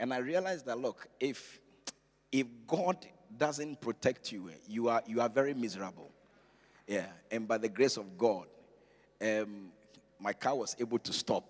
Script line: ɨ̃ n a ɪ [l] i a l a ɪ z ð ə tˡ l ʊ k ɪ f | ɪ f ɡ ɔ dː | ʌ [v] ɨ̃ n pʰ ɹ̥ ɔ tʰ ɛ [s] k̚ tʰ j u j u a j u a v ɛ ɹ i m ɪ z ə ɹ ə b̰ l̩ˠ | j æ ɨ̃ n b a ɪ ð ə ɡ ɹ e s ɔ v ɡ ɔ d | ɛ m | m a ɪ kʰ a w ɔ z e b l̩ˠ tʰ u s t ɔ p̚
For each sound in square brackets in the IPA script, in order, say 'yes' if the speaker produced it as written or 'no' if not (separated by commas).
no, no, no